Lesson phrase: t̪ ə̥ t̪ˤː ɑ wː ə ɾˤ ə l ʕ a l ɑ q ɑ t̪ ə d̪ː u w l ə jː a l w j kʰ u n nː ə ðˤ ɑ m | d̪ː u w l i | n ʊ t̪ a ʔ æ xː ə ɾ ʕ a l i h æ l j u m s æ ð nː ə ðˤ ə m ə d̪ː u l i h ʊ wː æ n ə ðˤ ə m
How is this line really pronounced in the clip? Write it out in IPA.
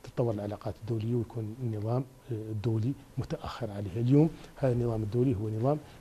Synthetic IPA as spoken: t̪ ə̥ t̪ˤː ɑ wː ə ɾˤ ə l ʕ a l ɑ q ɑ t̪ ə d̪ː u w l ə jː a w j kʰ u n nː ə ðˤ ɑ m | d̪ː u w l i | m ʊ t̪ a ʔ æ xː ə ɾ ʕ a l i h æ l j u m h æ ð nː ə ðˤ ɑ m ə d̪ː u l i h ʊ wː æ n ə ðˤ ɑ m